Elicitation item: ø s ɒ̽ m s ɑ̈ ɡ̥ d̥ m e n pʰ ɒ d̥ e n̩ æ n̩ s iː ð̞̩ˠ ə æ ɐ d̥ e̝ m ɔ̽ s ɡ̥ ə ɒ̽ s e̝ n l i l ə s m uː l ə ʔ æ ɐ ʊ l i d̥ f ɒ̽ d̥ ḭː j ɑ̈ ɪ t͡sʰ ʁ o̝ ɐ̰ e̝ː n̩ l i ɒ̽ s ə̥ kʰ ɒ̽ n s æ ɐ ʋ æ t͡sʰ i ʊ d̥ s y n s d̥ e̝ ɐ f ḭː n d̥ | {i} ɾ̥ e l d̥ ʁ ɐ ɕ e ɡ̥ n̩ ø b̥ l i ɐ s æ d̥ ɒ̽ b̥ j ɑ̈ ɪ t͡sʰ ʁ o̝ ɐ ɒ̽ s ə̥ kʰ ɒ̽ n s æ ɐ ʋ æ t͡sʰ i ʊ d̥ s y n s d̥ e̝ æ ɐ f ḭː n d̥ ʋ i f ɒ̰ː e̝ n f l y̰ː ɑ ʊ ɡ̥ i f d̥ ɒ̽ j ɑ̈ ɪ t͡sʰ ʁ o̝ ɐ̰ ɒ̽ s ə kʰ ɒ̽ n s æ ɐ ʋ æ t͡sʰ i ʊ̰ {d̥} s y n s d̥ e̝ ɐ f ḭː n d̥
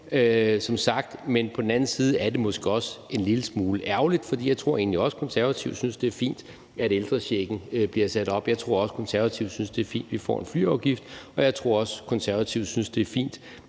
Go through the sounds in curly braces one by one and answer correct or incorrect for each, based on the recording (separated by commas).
incorrect, correct